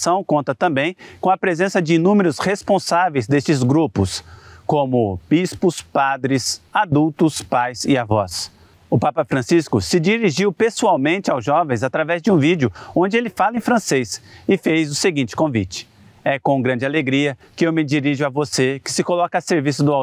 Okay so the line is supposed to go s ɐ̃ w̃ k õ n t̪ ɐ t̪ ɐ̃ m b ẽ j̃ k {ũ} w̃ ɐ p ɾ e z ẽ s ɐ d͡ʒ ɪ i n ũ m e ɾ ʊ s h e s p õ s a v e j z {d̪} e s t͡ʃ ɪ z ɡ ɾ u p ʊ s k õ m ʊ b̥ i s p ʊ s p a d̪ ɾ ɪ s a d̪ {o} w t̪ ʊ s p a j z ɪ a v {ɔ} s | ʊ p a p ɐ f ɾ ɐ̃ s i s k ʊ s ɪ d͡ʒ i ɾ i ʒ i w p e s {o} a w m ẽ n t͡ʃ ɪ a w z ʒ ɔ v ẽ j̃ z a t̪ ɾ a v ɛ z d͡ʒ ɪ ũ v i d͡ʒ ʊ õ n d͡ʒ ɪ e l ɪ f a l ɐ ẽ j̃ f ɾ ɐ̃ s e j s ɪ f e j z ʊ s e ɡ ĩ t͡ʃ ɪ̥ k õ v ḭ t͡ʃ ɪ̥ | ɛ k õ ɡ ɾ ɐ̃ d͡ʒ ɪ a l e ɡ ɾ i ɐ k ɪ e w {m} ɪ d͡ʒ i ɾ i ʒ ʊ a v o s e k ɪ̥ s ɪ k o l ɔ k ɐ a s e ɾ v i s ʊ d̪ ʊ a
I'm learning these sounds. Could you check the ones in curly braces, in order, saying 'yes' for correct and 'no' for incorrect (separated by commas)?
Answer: no, yes, no, yes, no, yes